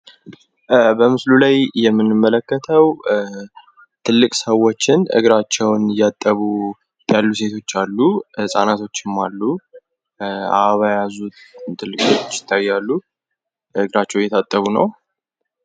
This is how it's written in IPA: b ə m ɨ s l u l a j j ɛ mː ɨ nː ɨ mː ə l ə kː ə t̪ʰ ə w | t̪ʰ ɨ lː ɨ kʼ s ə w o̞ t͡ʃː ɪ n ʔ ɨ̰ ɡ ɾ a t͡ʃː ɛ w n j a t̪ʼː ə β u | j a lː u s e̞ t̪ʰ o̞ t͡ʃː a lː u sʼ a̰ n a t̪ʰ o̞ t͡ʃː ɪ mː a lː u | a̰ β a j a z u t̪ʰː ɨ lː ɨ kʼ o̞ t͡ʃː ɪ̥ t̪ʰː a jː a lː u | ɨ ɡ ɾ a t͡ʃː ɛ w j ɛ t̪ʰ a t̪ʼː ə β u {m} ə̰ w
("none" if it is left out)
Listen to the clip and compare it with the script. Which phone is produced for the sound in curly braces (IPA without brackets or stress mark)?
n